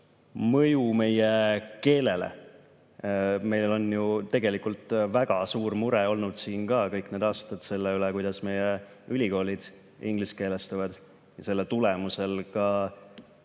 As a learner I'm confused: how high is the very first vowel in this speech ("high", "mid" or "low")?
mid